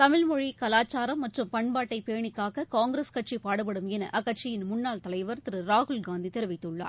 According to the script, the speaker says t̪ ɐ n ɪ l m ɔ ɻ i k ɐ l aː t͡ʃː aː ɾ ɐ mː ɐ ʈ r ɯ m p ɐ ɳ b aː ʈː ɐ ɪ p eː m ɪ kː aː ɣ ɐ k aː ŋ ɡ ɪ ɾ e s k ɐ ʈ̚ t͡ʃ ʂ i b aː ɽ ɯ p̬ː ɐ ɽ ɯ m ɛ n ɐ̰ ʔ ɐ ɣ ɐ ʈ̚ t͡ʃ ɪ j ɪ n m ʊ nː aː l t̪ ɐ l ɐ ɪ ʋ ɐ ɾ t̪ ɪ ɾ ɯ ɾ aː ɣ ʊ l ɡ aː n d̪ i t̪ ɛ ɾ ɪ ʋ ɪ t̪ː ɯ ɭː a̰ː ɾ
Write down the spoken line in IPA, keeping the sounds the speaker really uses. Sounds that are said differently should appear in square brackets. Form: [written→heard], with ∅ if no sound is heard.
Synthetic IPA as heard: t̪ ɐ [n→m] ɪ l m ɔ ɻ i k ɐ l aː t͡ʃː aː ɾ ɐ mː ɐ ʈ r ɯ m p ɐ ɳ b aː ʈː ɐ ɪ p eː [m→ɳ] ɪ kː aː ɣ ɐ k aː ŋ ɡ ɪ ɾ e s k ɐ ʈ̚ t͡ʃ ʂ i [b→p] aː ɽ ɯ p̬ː ɐ ɽ ɯ m ɛ n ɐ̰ ʔ ɐ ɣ ɐ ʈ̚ t͡ʃ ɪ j ɪ n m ʊ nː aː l t̪ ɐ l ɐ ɪ ʋ ɐ ɾ t̪ ɪ ɾ ɯ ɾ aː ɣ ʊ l ɡ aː n d̪ i t̪ ɛ ɾ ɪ ʋ ɪ t̪ː ɯ ɭː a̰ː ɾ